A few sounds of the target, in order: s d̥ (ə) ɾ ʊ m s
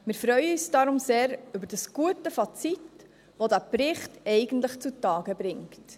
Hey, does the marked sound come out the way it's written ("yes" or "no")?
no